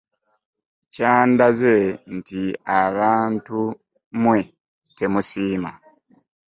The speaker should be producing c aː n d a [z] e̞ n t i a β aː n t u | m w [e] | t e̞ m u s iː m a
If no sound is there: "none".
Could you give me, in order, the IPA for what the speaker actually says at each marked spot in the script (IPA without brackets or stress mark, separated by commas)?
z, e